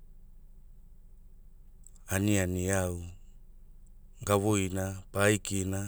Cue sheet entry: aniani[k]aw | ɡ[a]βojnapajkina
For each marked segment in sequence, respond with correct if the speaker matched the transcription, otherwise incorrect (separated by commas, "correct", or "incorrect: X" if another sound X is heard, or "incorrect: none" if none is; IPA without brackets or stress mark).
incorrect: none, correct